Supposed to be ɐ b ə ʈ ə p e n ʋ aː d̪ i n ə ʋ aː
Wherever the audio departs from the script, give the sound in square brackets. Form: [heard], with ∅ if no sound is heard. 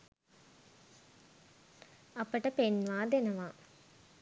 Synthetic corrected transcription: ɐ [p] ə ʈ ə p e n ʋ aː d̪ [e] n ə ʋ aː